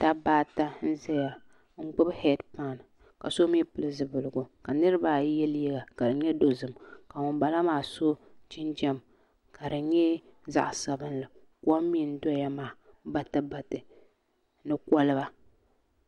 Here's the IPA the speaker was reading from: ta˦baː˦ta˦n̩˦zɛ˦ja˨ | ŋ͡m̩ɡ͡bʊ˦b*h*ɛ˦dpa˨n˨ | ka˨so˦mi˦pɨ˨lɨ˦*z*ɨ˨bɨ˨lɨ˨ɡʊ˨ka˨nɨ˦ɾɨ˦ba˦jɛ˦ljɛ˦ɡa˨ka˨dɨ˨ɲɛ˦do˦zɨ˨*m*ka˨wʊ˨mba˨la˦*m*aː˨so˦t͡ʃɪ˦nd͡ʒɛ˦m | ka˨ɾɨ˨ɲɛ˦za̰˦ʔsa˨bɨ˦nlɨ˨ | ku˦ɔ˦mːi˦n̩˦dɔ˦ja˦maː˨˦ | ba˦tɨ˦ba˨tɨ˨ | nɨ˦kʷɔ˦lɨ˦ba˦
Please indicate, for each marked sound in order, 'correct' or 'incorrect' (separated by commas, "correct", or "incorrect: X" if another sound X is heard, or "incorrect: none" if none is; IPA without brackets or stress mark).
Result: correct, correct, correct, correct